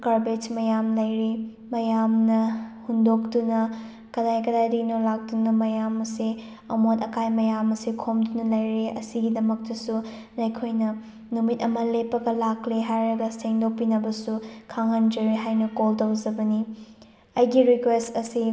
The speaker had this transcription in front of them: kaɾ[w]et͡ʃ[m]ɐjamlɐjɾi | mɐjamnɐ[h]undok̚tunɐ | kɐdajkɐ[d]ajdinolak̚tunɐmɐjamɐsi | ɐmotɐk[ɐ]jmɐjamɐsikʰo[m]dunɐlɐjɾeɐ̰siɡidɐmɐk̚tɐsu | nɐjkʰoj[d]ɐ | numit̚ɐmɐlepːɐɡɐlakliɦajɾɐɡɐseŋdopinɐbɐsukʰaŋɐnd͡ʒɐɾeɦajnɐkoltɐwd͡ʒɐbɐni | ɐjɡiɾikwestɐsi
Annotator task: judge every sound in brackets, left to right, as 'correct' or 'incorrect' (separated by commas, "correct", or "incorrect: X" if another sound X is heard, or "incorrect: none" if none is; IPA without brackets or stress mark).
incorrect: b, correct, correct, correct, incorrect: a, correct, incorrect: n